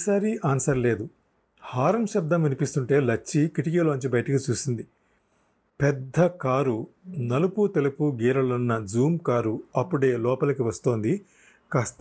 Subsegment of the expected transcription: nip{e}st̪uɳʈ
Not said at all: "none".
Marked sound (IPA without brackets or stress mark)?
i